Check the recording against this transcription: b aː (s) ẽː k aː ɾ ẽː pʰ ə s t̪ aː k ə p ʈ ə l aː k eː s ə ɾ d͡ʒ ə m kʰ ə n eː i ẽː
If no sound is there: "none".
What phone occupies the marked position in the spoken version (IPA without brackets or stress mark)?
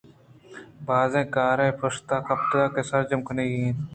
z